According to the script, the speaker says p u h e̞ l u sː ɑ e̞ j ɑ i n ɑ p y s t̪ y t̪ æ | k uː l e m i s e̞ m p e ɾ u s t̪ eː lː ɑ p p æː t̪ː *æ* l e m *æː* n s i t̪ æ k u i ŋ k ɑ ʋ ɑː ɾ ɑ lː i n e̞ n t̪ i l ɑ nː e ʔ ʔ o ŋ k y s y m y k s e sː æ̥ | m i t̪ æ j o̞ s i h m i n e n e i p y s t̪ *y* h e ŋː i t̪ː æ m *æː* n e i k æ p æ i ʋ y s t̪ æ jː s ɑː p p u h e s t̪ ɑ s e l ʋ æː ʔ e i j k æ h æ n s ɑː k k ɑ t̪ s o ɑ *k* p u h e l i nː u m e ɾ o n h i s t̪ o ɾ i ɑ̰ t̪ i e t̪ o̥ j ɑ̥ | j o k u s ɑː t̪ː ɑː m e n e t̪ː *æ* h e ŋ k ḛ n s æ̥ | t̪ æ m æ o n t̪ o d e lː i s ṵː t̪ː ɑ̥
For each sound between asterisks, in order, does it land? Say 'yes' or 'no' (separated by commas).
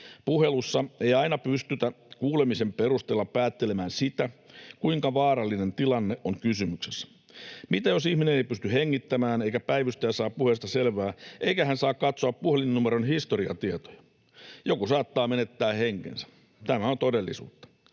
no, yes, yes, yes, no, no